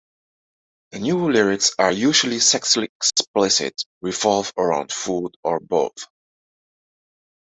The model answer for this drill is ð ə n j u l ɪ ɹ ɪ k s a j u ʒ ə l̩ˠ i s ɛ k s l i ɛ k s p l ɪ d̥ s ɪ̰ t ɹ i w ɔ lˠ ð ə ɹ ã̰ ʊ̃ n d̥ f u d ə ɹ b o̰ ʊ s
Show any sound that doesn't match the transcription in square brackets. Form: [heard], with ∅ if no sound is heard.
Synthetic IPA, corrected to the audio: ð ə n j u l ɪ ɹ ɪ k s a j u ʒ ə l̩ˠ i s ɛ k s l i ɛ k s p l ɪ [∅] s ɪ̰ t ɹ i [v] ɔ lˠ [v] ə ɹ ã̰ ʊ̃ n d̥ f u d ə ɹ b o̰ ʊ [θ]